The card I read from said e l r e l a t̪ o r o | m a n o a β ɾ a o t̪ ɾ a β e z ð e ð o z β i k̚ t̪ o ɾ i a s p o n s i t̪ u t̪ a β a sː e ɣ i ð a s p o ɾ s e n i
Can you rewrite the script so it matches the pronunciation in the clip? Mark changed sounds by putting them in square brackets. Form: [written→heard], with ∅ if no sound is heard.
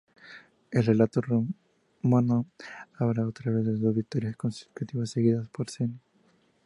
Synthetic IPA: e l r e l a t̪ o r o | m a n o a β ɾ a o t̪ ɾ a β e z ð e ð o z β i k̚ t̪ o ɾ [i→j] a s [p→k] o n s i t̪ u t̪ [a→i] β a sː e ɣ i ð a s p o ɾ s e n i